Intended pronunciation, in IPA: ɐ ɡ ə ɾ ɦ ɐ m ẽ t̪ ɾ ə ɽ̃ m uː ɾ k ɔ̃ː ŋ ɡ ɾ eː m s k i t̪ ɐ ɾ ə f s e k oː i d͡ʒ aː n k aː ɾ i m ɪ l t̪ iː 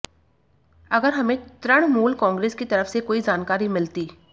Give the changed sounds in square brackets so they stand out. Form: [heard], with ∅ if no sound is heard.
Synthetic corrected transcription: ɐ ɡ ə ɾ ɦ ɐ m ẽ t̪ ɾ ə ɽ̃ m uː [l] k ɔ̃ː ŋ ɡ ɾ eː [∅] s k i t̪ ɐ ɾ ə f s e k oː i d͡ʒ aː n k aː ɾ i m ɪ l t̪ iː